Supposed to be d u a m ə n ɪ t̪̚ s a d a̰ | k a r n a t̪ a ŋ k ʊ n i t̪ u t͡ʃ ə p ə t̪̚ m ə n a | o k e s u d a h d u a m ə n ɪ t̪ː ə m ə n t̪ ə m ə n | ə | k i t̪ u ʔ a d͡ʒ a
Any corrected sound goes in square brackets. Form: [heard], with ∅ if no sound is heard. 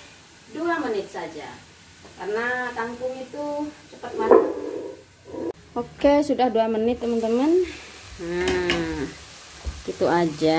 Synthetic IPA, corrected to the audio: d u a m ə n ɪ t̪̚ s a [d͡ʒ] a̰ | k a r n a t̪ a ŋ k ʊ [ŋ] i t̪ u t͡ʃ ə p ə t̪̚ m [a] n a | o k e s u d a h d u a m ə n ɪ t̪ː ə m ə n t̪ ə m ə n | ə | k i t̪ u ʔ a d͡ʒ a